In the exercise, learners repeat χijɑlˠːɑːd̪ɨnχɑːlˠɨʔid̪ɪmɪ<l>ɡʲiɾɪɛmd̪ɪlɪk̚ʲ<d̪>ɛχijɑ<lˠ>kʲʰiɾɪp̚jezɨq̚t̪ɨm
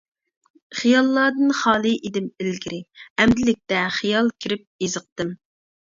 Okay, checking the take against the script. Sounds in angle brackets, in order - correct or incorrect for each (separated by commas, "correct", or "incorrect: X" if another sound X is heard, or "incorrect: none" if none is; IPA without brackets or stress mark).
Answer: correct, incorrect: t̪, correct